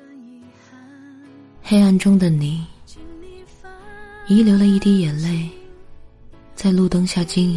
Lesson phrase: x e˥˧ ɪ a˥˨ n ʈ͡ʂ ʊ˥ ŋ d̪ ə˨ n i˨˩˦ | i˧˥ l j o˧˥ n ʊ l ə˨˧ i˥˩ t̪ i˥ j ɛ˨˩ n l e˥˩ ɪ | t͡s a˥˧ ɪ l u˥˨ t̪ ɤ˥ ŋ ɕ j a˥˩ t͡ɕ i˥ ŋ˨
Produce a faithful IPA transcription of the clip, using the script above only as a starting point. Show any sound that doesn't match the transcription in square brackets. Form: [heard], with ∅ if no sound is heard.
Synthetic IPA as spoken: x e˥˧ ɪ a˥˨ n ʈ͡ʂ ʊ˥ ŋ d̪ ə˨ n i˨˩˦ | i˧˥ l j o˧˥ [∅] ʊ l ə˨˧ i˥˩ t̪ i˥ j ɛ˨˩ n l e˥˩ ɪ | t͡s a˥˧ ɪ l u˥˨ t̪ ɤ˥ ŋ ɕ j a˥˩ t͡ɕ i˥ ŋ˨